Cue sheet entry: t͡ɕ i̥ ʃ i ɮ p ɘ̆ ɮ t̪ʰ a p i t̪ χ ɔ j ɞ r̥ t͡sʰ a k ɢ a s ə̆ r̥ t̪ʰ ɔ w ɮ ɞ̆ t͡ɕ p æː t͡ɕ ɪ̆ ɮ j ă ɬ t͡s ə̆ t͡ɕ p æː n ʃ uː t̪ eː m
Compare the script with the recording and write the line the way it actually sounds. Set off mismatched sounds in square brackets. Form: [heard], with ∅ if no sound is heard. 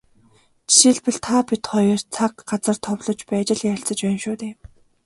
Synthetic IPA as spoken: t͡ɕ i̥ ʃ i ɮ p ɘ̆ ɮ t̪ʰ a p i t̪ χ ɔ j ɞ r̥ t͡sʰ a k ɢ a [t͡s] ə̆ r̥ t̪ʰ ɔ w ɮ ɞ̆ t͡ɕ p æː t͡ɕ ɪ̆ ɮ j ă ɬ t͡s ə̆ t͡ɕ p æː n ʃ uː t̪ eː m